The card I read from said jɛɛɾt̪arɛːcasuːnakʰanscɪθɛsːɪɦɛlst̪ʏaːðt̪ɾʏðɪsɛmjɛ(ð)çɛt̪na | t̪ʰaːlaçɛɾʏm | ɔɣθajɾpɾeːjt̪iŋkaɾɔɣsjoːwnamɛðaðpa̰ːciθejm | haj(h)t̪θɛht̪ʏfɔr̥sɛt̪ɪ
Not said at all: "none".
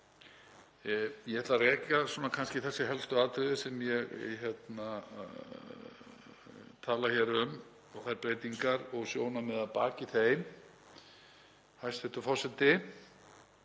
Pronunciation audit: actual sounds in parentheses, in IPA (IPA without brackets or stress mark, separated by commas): ɣ, s